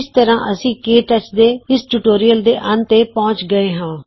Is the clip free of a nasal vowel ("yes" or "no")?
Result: no